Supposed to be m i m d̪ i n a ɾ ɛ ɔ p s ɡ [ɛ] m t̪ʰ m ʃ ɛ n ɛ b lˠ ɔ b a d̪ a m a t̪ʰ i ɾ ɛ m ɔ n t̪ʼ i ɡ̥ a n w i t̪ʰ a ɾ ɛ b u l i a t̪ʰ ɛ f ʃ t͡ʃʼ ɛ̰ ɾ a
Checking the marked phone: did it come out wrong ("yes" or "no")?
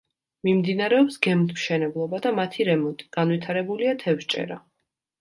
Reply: no